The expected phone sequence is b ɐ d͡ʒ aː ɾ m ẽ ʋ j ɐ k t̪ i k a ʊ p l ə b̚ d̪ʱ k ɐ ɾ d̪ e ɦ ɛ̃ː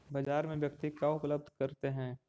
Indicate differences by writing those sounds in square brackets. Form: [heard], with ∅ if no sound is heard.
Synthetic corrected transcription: b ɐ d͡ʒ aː ɾ m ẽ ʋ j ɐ k t̪ i k a ʊ p l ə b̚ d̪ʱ k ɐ ɾ [t̪] e ɦ ɛ̃ː